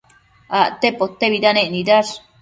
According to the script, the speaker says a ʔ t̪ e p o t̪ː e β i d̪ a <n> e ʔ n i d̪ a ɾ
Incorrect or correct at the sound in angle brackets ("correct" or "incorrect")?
correct